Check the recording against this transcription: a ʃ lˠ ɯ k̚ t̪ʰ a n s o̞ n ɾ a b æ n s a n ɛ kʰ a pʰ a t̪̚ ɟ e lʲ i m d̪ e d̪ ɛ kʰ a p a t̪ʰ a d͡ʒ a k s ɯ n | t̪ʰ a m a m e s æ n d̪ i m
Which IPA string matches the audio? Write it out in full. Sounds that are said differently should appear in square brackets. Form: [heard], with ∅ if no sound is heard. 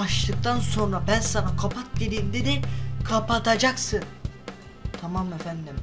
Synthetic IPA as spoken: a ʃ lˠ ɯ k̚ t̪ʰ a n s o̞ n ɾ a b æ n s a n [a] kʰ a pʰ a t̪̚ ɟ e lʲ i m d̪ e d̪ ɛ kʰ a p a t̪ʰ a d͡ʒ a k s ɯ n | t̪ʰ a m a m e [f] æ n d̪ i m